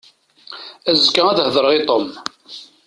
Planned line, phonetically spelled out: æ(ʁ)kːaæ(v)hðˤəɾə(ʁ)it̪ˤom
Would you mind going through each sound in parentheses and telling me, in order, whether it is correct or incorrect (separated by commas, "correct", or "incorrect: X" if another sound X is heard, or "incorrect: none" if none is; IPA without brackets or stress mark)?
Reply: incorrect: z, incorrect: ð, correct